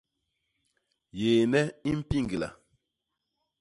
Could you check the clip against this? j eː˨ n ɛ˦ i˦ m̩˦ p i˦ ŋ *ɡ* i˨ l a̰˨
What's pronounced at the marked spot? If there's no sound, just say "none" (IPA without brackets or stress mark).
ɡ